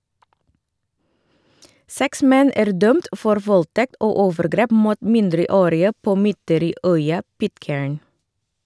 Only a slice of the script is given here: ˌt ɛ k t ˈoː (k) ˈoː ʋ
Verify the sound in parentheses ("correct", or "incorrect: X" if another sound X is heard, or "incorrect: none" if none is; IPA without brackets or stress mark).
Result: incorrect: none